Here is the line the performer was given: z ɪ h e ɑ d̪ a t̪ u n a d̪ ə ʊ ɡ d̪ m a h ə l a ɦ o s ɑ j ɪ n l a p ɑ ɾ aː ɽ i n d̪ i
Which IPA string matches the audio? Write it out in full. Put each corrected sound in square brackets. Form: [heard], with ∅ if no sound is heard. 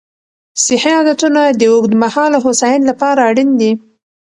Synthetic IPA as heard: [s] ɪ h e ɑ d̪ a t̪ u n a d̪ ə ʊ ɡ d̪ m a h [ɑ] l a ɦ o s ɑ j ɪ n l a p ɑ ɾ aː ɽ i n d̪ i